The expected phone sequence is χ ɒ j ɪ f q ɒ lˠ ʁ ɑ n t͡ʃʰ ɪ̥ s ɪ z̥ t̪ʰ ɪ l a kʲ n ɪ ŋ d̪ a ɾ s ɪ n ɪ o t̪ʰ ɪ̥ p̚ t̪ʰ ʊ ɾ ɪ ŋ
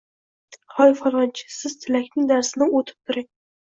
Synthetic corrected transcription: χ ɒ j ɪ f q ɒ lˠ ʁ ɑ n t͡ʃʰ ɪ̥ s ɪ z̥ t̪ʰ ɪ l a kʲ n ɪ ŋ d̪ a ɾ s ɪ n ɪ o t̪ʰ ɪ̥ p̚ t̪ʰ ʊ ɾ ɪ ŋ